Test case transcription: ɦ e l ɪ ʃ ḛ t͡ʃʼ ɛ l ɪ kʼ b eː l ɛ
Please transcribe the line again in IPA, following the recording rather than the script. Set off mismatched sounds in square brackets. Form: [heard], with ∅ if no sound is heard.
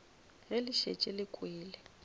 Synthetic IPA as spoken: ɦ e l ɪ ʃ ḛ t͡ʃʼ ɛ l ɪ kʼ [w] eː l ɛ